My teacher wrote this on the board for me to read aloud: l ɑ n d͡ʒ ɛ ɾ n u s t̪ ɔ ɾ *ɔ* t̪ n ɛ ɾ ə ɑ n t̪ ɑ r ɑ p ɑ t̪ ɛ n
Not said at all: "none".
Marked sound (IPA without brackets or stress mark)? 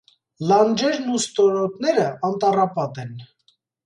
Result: ɔ